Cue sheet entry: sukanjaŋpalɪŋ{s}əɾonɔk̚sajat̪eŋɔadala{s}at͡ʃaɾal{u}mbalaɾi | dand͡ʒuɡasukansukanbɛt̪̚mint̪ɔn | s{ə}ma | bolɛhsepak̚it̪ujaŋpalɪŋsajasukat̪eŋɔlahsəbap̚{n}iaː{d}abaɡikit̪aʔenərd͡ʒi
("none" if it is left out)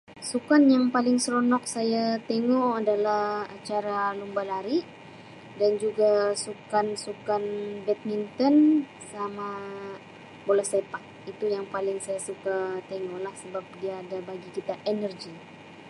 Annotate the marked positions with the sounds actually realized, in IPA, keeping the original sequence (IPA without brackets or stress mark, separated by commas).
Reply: s, h, u, a, d, d